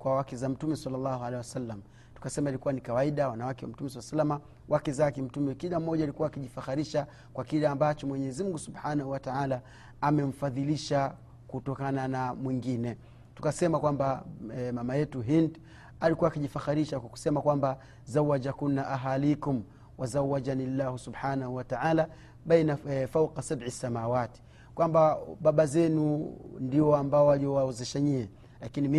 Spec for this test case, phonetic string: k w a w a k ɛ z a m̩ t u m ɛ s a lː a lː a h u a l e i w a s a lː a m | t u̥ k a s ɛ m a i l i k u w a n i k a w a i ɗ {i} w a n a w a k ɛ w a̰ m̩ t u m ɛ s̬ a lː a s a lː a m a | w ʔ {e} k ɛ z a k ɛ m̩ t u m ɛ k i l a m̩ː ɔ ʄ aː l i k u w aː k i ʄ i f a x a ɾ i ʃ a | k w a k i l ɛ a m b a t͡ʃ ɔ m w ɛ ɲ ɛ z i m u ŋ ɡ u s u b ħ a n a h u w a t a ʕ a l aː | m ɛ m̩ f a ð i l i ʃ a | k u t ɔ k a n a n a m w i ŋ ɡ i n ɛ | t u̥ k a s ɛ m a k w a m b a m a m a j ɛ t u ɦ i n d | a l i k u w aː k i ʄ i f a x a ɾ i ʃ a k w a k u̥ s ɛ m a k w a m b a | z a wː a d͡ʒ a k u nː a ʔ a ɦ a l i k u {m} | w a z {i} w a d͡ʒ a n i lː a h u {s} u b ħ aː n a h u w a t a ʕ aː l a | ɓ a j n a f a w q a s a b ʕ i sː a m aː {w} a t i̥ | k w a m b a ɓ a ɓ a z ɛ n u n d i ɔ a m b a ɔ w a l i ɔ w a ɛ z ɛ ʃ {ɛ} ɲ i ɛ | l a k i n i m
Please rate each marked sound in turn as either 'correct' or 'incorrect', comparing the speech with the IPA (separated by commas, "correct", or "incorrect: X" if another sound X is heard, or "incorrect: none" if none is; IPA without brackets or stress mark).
incorrect: a, incorrect: a, correct, incorrect: a, correct, correct, incorrect: a